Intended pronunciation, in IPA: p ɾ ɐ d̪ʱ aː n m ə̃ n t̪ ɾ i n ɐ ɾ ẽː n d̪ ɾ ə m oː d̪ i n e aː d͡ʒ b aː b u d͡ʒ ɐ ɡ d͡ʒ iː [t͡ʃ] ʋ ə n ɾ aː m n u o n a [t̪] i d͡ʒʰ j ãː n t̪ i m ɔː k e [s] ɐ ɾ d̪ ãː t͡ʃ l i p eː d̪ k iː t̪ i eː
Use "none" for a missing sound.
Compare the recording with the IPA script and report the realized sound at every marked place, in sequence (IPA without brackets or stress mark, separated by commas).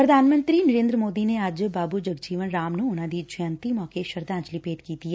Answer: none, d̪, ʃ